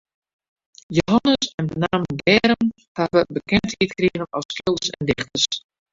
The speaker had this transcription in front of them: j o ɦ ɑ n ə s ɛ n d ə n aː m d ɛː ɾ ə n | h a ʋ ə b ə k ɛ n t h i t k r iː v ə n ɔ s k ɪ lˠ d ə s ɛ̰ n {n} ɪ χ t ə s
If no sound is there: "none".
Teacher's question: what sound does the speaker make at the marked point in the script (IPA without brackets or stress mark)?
d